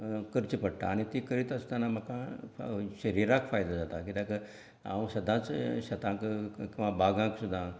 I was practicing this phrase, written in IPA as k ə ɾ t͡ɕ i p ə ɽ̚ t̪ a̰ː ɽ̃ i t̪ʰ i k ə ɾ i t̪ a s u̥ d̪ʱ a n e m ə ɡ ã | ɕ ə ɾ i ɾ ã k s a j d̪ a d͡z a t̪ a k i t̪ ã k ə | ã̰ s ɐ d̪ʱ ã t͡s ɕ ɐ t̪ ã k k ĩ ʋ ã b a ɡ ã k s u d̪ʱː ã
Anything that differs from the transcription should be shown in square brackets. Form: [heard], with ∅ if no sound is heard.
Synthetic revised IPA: k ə ɾ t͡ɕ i p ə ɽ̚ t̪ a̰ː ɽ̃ i [t̪] i k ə ɾ i t̪ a s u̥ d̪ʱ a n [a] m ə [k] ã | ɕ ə ɾ i ɾ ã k [f] a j d̪ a d͡z a t̪ a k i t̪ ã k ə | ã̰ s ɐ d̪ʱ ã t͡s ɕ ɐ t̪ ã k k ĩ ʋ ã b a ɡ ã k s u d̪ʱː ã